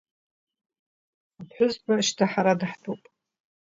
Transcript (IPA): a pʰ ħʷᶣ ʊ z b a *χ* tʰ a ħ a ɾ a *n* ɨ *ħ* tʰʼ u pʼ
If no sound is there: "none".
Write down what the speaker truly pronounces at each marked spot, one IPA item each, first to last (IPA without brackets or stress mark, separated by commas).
ʃ, d, ħ